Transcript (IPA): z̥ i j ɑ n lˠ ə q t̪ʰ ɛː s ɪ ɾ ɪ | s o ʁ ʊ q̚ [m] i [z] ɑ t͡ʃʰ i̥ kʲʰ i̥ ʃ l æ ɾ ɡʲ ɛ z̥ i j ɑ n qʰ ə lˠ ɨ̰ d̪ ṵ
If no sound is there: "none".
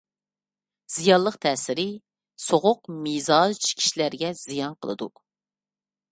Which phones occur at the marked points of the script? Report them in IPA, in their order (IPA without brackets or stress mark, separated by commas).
m, z